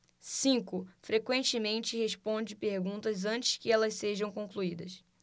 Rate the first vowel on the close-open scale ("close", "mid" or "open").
close